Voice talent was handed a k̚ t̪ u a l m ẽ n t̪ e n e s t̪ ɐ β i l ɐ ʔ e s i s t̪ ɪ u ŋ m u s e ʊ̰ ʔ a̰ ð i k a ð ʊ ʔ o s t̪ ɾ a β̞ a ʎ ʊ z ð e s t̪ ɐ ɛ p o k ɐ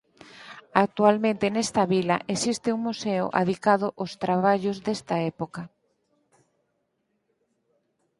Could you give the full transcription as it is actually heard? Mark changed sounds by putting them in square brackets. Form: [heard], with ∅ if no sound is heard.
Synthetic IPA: a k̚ t̪ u a l m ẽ n t̪ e n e s t̪ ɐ β i l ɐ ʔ e s i s t̪ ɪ u ŋ m u s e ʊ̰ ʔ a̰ ð i k a ð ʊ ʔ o s t̪ ɾ a β̞ a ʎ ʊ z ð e s t̪ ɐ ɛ p o k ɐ